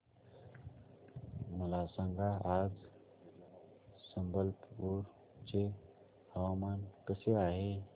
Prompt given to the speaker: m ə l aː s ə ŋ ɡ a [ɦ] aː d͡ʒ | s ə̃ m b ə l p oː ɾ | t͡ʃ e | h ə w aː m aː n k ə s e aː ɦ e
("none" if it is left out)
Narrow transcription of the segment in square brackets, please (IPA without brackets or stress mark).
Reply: none